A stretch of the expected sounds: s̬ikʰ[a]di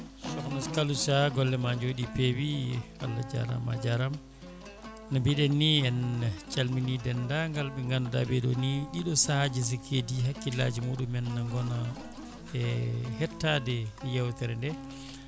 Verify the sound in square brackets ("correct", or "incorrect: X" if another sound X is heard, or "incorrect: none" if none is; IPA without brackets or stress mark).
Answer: incorrect: e